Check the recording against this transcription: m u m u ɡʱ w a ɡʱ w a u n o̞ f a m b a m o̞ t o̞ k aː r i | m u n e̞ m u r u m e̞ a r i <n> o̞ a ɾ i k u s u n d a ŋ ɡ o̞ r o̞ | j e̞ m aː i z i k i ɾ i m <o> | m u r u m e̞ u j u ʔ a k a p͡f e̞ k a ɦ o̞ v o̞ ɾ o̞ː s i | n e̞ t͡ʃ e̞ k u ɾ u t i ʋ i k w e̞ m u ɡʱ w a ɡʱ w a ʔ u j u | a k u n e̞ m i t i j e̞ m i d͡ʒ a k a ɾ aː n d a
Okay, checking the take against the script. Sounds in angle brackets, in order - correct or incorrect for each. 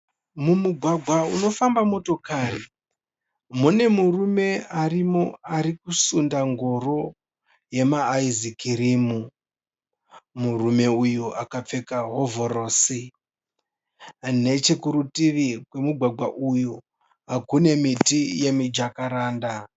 incorrect, incorrect

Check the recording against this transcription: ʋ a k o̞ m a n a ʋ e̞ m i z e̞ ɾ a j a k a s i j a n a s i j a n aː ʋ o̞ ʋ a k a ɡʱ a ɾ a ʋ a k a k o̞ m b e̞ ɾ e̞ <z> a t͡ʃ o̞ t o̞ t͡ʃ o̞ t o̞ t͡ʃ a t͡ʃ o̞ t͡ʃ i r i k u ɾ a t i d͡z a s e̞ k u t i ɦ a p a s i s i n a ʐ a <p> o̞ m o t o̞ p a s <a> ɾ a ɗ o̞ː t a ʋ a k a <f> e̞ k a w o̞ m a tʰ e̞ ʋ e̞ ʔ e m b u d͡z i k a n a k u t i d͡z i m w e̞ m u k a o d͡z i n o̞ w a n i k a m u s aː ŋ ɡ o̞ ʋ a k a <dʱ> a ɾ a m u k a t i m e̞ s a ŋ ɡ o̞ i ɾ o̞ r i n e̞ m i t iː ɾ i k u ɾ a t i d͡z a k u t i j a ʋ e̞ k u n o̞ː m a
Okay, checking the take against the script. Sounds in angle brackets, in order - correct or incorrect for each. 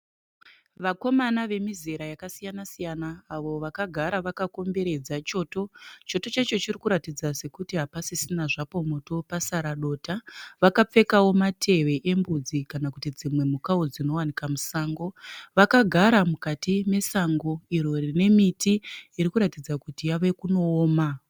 incorrect, correct, correct, incorrect, incorrect

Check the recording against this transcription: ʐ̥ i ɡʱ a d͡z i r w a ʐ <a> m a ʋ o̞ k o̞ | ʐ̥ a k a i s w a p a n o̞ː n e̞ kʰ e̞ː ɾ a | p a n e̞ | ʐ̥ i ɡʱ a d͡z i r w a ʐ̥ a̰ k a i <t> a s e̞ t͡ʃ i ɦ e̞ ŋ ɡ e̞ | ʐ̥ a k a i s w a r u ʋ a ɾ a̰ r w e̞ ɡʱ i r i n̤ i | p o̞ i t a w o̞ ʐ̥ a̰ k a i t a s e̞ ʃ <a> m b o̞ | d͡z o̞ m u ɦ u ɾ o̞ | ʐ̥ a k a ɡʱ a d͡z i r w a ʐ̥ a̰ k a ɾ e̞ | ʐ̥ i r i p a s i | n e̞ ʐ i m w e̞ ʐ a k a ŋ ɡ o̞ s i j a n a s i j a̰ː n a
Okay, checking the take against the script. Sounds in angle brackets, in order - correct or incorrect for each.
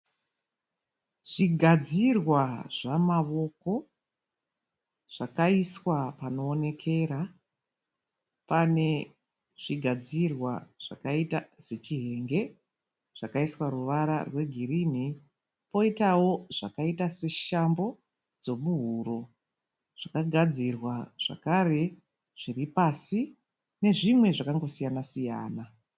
correct, correct, correct

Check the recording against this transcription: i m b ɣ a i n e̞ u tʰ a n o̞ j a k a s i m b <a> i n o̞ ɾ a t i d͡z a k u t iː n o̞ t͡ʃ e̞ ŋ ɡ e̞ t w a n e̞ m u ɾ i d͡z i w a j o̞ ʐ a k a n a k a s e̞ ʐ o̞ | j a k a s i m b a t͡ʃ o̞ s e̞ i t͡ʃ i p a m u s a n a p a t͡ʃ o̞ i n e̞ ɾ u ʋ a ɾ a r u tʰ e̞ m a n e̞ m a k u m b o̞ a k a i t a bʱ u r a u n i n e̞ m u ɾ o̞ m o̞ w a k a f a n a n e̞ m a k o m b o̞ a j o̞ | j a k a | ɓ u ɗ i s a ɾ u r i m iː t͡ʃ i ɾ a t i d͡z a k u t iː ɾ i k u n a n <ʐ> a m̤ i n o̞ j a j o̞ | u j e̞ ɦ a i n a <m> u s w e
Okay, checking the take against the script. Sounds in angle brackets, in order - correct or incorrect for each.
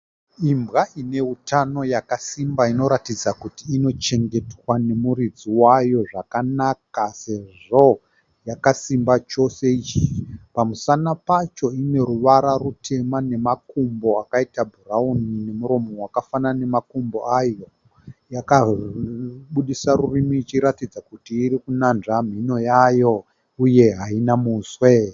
correct, correct, correct

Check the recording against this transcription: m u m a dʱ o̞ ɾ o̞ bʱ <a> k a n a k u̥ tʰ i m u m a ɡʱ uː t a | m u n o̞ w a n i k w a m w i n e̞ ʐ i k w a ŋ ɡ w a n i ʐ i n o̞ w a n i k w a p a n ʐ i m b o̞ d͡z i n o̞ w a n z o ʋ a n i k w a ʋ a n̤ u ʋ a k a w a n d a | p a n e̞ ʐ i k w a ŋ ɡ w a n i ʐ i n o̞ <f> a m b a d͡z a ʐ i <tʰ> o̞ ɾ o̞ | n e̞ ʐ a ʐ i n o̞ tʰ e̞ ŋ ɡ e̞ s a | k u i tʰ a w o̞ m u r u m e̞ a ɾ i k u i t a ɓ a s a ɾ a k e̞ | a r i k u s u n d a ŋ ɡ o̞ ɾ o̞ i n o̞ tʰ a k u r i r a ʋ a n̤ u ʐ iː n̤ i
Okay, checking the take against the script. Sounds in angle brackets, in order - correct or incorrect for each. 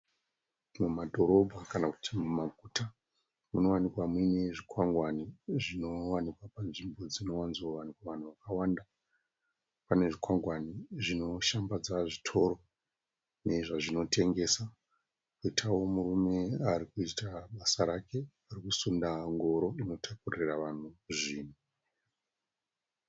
correct, incorrect, correct

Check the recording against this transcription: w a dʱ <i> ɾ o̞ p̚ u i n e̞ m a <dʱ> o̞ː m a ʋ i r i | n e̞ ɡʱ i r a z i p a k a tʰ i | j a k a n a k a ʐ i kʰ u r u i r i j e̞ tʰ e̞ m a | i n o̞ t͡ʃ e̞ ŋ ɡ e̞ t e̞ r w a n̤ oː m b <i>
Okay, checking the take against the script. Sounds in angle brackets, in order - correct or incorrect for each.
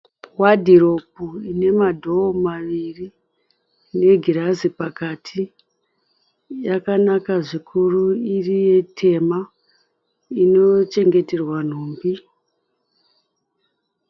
correct, correct, correct

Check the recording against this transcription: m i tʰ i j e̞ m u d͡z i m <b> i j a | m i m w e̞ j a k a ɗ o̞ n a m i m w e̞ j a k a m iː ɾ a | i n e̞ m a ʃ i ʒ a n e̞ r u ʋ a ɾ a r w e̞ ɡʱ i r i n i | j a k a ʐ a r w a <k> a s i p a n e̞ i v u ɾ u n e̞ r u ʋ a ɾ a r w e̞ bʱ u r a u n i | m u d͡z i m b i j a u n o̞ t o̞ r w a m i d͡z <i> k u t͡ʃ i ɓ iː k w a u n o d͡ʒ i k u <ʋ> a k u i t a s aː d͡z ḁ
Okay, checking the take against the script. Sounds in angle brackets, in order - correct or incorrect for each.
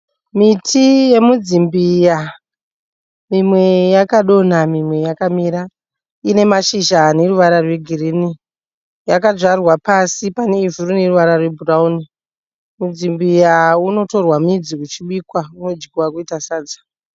correct, incorrect, correct, incorrect

